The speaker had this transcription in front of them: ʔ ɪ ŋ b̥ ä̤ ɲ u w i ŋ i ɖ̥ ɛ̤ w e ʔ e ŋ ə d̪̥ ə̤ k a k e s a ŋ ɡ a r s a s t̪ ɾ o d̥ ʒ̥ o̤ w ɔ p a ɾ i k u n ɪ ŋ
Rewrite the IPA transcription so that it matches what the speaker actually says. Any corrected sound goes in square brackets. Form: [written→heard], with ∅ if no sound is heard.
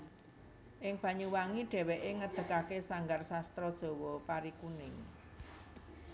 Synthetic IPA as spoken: ʔ ɪ ŋ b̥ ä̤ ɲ u w [i→a] ŋ i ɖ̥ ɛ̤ w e ʔ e ŋ ə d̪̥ ə̤ k a k e s a ŋ ɡ a r s a s t̪ ɾ [o→ɔ] d̥ ʒ̥ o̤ w ɔ p a ɾ i k u n ɪ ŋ

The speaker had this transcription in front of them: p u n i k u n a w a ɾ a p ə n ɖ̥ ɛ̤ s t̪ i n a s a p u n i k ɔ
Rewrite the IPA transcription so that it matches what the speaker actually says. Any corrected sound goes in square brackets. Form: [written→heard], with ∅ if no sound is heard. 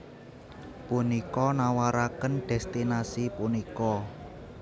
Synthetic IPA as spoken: p u n i k [u→ɔ] n a w a ɾ a [p→k] ə n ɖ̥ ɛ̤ s t̪ i n a s [a→i] p u n i k ɔ

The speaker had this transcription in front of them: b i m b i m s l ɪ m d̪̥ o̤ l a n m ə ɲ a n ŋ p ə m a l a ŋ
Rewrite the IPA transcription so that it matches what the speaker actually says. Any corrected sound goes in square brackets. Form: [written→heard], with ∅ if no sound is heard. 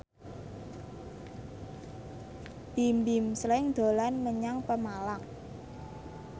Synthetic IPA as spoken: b i m b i m s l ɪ [m→ŋ] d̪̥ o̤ l a n m ə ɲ a [n→∅] ŋ p ə m a l a ŋ

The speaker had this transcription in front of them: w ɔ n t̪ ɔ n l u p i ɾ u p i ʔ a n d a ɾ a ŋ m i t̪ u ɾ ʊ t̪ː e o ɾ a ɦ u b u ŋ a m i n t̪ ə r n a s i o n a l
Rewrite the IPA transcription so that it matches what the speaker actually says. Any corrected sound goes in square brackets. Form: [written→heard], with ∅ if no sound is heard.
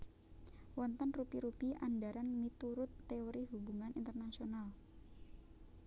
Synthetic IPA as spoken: w ɔ n t̪ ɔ n [l→r] u p i ɾ u p i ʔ a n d a ɾ a [ŋ→n] m i t̪ u ɾ ʊ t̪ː e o ɾ [a→i] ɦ u b u ŋ a [m→n] i n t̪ ə r n a s i o n a l

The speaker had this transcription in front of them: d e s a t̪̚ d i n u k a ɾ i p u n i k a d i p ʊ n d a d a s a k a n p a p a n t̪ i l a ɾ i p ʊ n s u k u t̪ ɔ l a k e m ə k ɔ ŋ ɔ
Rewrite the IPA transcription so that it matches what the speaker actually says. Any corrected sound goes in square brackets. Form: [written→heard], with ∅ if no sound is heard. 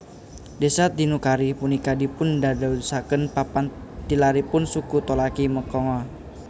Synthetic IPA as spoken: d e s a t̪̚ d i n u k a ɾ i p u n i k a d i p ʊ n d a d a s a k [a→ə] n p a p a n t̪ i l a ɾ i p ʊ n s u k u t̪ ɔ l a k [e→i] m ə k ɔ ŋ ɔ

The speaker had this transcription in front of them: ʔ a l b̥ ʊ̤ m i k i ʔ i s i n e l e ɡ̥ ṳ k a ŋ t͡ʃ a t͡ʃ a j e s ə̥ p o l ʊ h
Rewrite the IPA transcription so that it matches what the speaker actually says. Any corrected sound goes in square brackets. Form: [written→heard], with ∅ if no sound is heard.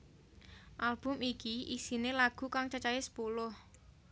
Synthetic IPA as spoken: ʔ a l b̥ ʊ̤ m i k i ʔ i s i n e l [e→a] ɡ̥ ṳ k a ŋ t͡ʃ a t͡ʃ a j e s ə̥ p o l ʊ h

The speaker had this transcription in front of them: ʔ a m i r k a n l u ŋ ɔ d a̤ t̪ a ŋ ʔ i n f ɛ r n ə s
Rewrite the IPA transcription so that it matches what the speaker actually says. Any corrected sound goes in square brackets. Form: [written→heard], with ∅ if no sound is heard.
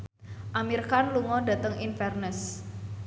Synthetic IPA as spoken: ʔ a m i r k a n l u ŋ ɔ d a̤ t̪ [a→ə] ŋ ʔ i n f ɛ r n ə s

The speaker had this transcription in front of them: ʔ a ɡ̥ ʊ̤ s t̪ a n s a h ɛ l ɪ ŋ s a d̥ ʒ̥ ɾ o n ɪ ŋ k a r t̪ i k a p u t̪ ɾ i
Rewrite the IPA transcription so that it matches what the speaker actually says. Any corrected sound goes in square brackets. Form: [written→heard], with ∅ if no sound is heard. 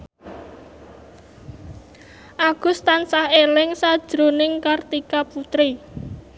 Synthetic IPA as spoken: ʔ a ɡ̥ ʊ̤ s t̪ a n s a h [ɛ→e] l ɪ ŋ s a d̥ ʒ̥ ɾ o n ɪ ŋ k a r t̪ i k a p u t̪ ɾ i

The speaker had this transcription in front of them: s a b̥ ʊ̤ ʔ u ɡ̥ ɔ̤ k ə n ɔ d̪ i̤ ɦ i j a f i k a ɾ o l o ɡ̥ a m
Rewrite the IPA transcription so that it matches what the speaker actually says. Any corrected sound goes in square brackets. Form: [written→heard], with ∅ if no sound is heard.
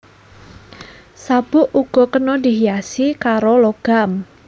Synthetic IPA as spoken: s a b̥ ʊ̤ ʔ u ɡ̥ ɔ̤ k ə n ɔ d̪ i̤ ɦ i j a [f→s] i k a ɾ o l o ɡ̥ a m

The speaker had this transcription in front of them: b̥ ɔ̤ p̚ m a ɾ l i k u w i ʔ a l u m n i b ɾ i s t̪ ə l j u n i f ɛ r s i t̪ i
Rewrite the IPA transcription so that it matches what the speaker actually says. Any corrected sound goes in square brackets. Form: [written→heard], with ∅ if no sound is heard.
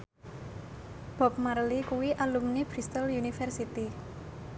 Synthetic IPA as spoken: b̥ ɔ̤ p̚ m a ɾ l i k u w i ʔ a l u m n i b ɾ i s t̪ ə l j u n i f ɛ r s i t̪ i

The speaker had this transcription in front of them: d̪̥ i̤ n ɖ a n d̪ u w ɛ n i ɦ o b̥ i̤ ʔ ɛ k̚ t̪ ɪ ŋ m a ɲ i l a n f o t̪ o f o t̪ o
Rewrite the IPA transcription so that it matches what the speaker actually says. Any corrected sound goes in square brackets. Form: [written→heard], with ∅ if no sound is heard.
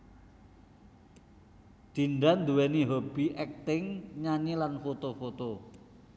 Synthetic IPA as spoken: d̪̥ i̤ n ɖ a n d̪ u w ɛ n i ɦ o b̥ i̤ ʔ ɛ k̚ t̪ ɪ ŋ [m→ɲ] a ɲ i l a n f o t̪ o f o t̪ o

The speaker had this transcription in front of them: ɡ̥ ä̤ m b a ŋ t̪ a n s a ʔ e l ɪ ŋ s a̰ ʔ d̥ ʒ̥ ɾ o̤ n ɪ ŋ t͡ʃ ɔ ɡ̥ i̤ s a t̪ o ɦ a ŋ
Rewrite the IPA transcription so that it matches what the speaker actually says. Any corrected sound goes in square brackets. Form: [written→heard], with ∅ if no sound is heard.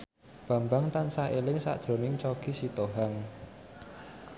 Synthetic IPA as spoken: [ɡ̥→b̥] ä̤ m b a ŋ t̪ a n s a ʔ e l ɪ ŋ s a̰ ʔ d̥ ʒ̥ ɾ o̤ n ɪ ŋ t͡ʃ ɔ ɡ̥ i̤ s [a→i] t̪ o ɦ a ŋ

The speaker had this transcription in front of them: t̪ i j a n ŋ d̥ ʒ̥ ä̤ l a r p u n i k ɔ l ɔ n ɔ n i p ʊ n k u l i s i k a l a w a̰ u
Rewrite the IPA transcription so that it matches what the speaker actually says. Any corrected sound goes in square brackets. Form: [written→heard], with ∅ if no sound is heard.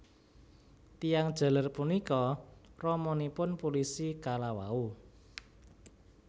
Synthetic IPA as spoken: t̪ i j a [n→∅] ŋ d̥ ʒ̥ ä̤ l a r p u n i k ɔ [l→r] ɔ [n→m] ɔ n i p ʊ n [k→p] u l i s i k a l a w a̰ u

